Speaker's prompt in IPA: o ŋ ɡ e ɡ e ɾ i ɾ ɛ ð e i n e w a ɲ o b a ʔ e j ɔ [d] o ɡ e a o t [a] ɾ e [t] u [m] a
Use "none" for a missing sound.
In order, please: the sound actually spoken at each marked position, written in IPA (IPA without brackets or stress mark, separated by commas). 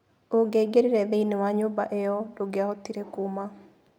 d, i, k, m